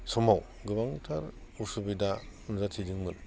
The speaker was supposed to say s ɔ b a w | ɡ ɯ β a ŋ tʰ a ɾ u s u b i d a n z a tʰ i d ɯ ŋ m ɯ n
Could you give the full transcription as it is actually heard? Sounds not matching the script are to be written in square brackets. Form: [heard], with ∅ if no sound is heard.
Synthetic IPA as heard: s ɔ [m] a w | ɡ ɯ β a ŋ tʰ a ɾ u s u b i d a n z a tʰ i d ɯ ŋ m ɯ n